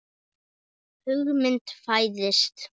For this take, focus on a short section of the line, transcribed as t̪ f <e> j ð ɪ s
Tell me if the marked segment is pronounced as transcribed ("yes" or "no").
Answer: no